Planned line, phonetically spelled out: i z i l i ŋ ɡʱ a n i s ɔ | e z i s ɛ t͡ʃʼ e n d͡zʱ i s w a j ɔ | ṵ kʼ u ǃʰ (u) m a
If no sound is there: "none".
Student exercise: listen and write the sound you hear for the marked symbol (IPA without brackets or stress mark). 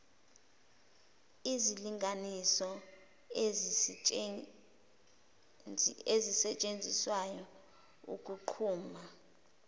uː